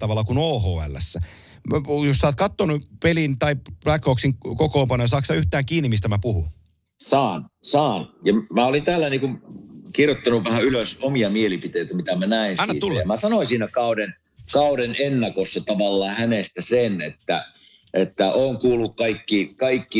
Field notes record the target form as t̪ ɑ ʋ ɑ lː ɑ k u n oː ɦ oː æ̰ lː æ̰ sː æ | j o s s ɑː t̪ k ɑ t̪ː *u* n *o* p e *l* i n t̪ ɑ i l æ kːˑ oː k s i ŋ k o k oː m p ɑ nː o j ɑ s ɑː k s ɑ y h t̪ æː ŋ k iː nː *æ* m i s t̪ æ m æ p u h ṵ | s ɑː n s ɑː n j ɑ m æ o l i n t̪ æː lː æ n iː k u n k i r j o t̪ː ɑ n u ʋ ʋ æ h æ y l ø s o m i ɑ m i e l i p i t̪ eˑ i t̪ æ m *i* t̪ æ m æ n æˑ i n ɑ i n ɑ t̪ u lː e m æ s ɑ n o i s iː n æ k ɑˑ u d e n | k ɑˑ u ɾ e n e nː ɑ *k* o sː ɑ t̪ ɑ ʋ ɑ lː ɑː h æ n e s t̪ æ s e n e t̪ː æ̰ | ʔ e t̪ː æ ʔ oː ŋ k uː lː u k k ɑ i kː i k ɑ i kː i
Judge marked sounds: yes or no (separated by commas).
no, no, yes, no, yes, yes